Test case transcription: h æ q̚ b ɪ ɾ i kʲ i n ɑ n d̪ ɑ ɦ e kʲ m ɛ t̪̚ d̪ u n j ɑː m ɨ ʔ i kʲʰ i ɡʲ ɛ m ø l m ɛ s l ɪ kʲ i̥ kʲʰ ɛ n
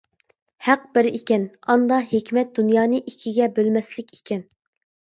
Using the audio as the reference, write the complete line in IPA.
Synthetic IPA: h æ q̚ b ɪ ɾ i kʲ ɛ n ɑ n d̪ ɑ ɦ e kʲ m ɛ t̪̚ d̪ u n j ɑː n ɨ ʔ i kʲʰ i ɡʲ ɛ b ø l m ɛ s l ɪ kʲ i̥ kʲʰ ɛ n